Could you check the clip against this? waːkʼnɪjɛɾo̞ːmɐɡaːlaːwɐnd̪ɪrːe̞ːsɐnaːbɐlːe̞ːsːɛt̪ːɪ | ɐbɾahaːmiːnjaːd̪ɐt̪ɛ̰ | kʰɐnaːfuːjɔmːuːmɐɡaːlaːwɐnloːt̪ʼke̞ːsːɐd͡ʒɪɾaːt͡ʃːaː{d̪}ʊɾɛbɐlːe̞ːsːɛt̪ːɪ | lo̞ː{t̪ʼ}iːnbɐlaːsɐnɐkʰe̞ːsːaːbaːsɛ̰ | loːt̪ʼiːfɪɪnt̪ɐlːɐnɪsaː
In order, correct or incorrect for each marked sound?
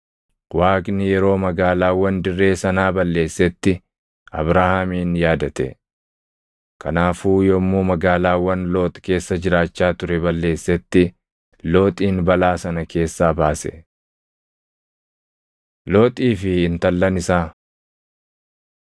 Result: incorrect, correct

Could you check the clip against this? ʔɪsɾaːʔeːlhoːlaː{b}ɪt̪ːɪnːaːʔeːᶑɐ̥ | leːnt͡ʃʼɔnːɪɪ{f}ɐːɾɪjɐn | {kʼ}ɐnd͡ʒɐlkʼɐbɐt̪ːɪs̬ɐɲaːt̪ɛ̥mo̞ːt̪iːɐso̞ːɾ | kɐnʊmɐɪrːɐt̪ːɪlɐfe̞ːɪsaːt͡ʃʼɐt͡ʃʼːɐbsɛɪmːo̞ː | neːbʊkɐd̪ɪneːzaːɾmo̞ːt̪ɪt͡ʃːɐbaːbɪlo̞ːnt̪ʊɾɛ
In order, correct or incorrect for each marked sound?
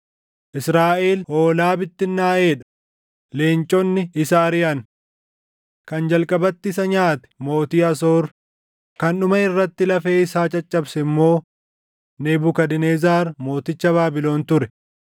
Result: correct, incorrect, incorrect

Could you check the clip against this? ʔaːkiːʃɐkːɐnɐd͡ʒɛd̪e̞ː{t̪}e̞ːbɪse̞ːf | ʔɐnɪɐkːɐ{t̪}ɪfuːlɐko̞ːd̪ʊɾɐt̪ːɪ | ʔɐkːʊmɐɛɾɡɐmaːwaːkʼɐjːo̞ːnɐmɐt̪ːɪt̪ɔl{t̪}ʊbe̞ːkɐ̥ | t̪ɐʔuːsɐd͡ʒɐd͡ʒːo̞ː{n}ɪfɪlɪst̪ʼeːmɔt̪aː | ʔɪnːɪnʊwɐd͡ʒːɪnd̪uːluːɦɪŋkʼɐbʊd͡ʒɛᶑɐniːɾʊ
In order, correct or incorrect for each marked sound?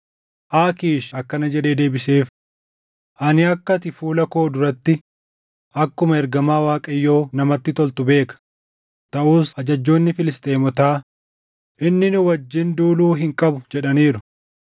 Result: incorrect, correct, correct, incorrect

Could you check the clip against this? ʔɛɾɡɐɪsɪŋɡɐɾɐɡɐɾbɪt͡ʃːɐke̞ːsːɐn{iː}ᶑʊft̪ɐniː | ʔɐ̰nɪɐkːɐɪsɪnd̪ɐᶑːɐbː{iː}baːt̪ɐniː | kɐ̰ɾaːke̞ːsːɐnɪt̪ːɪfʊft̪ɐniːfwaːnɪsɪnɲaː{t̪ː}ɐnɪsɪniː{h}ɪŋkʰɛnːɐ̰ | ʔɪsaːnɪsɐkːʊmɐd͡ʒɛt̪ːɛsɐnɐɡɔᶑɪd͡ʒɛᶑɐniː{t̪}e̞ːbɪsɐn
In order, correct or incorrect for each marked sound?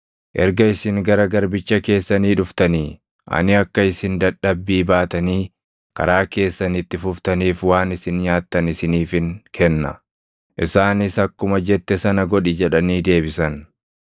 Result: correct, correct, correct, incorrect, incorrect

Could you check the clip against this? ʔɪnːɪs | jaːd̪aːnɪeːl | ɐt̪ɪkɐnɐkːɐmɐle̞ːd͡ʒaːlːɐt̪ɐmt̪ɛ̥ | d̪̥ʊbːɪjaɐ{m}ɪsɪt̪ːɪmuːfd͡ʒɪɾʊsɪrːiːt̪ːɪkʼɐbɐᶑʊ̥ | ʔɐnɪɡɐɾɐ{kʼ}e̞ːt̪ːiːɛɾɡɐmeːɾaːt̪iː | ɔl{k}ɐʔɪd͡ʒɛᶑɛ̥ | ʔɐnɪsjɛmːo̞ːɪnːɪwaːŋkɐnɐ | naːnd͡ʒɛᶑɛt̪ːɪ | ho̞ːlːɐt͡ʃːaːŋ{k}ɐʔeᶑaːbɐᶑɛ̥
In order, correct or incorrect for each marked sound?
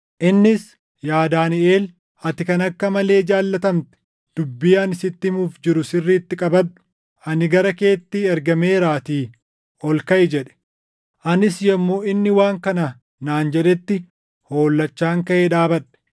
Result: incorrect, incorrect, correct, correct

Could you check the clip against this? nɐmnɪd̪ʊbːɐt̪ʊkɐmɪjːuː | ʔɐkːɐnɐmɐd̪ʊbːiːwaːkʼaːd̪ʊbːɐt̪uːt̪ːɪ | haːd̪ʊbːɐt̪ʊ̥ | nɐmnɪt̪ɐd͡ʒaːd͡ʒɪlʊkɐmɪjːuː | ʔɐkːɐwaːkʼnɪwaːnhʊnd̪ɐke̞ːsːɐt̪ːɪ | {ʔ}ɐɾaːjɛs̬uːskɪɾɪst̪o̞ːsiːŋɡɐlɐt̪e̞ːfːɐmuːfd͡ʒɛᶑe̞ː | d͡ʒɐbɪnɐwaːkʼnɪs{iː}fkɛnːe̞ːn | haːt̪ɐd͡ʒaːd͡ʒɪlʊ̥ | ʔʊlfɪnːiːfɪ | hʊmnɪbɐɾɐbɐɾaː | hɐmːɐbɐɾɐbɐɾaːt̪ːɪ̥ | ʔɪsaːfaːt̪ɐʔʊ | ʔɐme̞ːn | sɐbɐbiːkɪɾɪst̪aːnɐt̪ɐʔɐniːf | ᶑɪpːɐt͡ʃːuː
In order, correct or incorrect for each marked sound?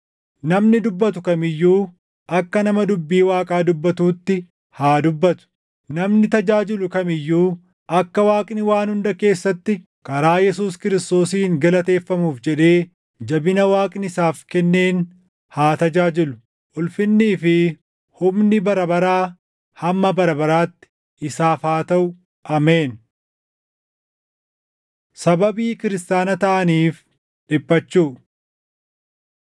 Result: incorrect, incorrect

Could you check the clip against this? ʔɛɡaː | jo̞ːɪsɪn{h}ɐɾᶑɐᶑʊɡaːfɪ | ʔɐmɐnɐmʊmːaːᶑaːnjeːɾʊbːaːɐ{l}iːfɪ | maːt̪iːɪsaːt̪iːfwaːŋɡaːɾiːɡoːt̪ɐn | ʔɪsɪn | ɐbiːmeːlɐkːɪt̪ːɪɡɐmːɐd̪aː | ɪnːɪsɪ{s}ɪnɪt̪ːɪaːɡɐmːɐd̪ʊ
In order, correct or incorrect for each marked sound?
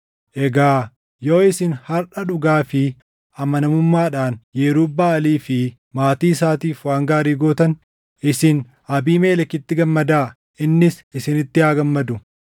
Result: correct, correct, correct

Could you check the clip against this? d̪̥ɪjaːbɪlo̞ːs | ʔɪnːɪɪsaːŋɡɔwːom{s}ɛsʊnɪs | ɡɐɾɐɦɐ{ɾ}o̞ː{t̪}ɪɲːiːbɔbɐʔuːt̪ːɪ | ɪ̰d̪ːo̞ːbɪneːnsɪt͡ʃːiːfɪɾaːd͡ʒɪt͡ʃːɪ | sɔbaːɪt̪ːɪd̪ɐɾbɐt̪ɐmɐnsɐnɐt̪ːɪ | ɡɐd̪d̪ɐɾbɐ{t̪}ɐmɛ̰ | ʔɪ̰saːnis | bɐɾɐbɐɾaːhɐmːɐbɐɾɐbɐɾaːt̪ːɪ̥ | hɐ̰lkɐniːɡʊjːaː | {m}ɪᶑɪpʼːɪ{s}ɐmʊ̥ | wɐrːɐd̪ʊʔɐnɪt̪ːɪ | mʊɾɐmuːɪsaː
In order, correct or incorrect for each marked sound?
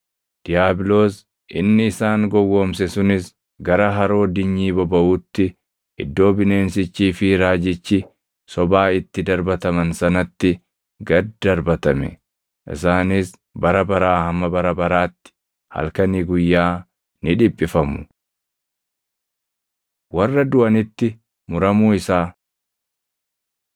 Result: correct, correct, incorrect, correct, incorrect, incorrect

